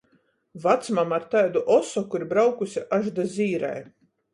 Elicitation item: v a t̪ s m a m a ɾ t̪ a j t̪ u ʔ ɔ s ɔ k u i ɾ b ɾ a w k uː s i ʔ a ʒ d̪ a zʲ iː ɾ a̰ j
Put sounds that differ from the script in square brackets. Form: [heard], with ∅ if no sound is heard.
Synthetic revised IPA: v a t̪ s m a m a ɾ t̪ a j [d̪] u ʔ ɔ s ɔ k u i ɾ b ɾ a w k [u] s i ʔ a ʒ d̪ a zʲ iː ɾ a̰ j